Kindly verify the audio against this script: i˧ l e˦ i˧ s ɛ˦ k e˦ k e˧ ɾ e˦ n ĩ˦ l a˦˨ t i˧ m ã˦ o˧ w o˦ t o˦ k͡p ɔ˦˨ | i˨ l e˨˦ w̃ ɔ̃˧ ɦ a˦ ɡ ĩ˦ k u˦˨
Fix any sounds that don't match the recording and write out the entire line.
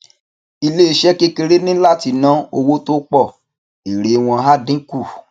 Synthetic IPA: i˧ l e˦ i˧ ʃ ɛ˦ k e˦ k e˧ ɾ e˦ n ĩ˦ l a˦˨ t i˧ n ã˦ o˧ w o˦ t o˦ k͡p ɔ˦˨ | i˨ ɾ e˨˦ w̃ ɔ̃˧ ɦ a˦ d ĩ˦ k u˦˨